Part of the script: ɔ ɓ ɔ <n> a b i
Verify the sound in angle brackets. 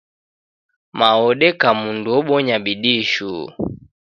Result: incorrect: ɲ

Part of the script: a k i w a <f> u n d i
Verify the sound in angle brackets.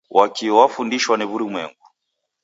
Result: correct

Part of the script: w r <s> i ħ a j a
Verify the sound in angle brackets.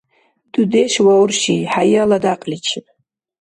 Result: incorrect: ʃ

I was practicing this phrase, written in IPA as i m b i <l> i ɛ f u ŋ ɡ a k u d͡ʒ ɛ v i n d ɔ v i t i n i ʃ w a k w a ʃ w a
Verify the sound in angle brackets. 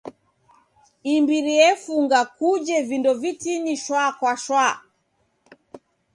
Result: incorrect: ɾ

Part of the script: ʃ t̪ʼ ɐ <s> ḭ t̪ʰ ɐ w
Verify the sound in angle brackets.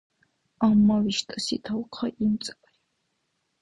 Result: correct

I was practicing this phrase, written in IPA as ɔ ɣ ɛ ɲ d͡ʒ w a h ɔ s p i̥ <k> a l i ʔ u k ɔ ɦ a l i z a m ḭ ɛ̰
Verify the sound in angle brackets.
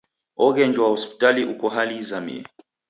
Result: incorrect: t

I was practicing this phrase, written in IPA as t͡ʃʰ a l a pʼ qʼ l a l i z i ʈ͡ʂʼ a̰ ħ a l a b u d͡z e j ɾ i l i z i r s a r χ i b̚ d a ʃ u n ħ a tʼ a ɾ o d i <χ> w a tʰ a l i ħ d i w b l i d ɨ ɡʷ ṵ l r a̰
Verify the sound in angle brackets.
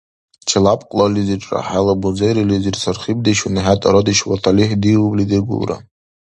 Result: incorrect: ʃ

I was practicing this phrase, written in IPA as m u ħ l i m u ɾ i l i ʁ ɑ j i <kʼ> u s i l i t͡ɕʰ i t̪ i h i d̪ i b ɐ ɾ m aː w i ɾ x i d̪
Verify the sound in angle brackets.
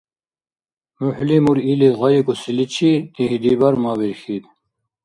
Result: incorrect: k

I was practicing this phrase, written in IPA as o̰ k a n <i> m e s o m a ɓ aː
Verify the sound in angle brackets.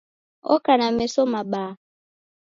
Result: incorrect: a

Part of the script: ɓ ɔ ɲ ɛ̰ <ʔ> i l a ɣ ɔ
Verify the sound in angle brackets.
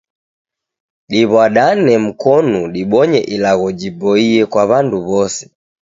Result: correct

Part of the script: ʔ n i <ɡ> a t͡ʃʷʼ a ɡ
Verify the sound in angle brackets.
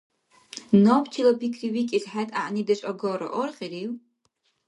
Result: incorrect: d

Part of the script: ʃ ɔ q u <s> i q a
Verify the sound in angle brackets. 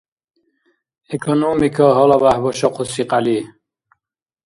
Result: correct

